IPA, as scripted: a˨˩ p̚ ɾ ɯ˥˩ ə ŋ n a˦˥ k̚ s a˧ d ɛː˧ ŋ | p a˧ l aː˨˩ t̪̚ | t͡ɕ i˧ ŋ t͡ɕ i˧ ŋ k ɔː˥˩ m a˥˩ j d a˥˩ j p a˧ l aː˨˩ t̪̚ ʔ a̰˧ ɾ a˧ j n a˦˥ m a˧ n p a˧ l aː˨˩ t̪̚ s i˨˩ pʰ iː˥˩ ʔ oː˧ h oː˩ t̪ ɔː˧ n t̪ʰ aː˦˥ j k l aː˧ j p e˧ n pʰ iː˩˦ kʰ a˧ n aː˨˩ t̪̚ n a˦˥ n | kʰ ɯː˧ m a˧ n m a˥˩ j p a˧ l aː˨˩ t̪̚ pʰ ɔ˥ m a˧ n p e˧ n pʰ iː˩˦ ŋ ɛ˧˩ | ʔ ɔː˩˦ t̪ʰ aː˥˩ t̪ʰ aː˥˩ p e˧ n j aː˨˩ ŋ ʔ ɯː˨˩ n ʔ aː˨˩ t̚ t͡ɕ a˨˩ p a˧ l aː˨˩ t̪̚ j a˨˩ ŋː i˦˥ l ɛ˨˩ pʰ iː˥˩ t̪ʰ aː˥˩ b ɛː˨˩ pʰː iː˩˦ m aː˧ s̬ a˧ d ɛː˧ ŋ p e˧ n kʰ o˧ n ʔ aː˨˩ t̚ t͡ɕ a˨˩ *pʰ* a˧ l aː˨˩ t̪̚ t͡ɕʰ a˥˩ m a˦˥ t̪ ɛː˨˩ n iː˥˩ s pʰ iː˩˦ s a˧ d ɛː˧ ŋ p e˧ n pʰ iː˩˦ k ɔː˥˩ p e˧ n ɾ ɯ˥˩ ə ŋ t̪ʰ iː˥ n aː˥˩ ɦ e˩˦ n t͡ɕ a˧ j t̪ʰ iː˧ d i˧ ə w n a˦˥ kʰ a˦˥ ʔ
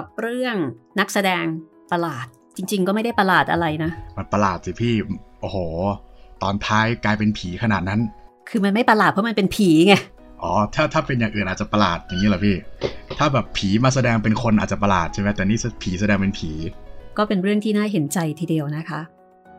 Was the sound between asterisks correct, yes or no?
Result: no